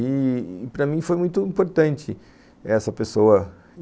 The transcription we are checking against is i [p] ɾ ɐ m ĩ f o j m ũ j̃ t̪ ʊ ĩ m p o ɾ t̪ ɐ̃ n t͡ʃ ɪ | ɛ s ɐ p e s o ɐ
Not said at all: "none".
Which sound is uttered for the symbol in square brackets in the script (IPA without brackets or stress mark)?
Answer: p